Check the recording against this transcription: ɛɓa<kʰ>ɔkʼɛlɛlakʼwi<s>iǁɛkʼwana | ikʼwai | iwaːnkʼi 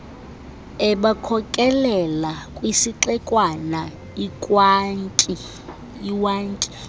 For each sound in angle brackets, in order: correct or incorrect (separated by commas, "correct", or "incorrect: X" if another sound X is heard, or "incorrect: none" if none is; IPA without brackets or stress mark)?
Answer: correct, correct